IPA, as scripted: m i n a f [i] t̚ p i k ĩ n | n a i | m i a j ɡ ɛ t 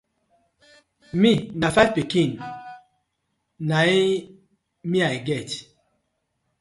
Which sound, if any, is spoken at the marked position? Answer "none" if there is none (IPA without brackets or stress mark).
a